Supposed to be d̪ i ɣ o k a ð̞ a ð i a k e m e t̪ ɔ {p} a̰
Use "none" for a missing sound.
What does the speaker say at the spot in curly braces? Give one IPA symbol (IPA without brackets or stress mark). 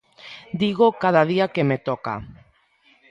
k